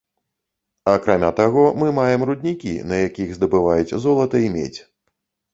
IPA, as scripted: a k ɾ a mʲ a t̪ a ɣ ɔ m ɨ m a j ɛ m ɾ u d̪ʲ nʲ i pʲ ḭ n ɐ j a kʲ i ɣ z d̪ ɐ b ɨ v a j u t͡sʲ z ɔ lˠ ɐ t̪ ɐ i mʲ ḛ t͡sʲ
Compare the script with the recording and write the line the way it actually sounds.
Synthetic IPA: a k ɾ a mʲ a t̪ a ɣ ɔ m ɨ m a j ɛ m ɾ u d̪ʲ nʲ i kʲ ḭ n ɐ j a kʲ i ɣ z d̪ ɐ b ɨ v a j u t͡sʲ z ɔ lˠ ɐ t̪ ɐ i mʲ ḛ t͡sʲ